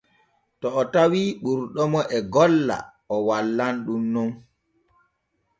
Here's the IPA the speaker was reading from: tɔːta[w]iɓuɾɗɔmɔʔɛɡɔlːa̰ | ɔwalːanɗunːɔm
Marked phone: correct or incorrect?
correct